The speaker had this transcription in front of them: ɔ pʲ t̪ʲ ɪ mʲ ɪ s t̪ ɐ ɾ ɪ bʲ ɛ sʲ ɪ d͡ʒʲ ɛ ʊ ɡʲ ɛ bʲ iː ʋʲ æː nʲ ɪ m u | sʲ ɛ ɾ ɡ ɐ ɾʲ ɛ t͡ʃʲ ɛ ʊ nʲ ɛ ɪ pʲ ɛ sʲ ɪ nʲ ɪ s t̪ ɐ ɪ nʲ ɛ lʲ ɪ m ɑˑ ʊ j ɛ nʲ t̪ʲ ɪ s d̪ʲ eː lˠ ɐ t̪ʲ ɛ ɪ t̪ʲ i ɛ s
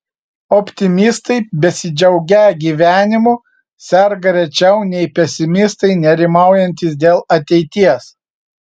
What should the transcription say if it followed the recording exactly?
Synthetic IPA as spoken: ɔ pʲ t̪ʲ ɪ mʲ ɪ s t̪ ɐ ɪ bʲ ɛ sʲ ɪ d͡ʒʲ ɛ ʊ ɡʲ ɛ ɡʲ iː ʋʲ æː nʲ ɪ m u | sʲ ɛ ɾ ɡ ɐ ɾʲ ɛ t͡ʃʲ ɛ ʊ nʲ ɛ ɪ pʲ ɛ sʲ ɪ mʲ ɪ s t̪ ɐ ɪ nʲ ɛ ɾʲ ɪ m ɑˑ ʊ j ɛ nʲ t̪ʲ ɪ s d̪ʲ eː lˠ ɐ t̪ʲ ɛ ɪ t̪ʲ i ɛ s